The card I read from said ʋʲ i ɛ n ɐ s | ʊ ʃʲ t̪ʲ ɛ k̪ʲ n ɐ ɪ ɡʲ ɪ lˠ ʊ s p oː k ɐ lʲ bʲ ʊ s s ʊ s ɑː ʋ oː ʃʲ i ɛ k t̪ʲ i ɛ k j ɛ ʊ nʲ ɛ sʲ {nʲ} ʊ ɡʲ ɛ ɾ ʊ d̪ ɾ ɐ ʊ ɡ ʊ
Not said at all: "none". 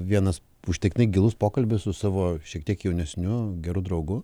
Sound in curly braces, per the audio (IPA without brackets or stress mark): nʲ